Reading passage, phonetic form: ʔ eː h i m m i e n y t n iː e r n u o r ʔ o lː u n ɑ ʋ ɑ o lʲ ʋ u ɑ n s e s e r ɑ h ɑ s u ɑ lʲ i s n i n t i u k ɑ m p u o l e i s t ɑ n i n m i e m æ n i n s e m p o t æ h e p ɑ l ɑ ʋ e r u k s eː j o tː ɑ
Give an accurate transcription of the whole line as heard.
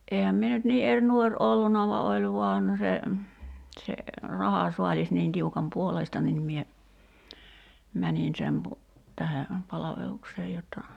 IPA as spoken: ʔ eː h æ m m i e n y t n iː e r n u o r ʔ o lː u n ɑ ʋ ɑ o lʲ ʋ u ɑ n s e s e r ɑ h ɑ s u ɑ lʲ i s n iː n t i u k ɑ m p u o l e i s t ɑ n i n m i e m æ n i n s e m p u t æ h e p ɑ l ɑ ʋ e l u k s eː j o tː ɑ